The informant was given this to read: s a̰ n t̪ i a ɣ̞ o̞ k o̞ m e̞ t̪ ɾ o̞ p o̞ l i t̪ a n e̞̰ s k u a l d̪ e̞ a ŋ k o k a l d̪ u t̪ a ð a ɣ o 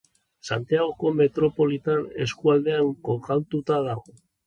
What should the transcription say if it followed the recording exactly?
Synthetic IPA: s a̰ n t̪ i a ɣ̞ o̞ k o̞ m e̞ t̪ ɾ o̞ p o̞ l i t̪ a n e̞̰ s k u a l d̪ e̞ a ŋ k o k a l t̪ u t̪ a ð a ɣ o